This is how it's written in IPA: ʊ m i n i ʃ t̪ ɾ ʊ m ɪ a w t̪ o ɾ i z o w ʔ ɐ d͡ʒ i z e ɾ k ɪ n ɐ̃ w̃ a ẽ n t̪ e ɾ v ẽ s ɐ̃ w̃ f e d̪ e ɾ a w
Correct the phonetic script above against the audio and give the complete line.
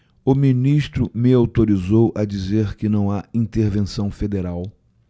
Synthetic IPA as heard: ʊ m i n i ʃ t̪ ɾ ʊ m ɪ a w t̪ o ɾ i z o w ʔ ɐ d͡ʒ i z e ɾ k ɪ n ɐ̃ w̃ a ĩ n t̪ e ɾ v ẽ s ɐ̃ w̃ f e d̪ e ɾ a w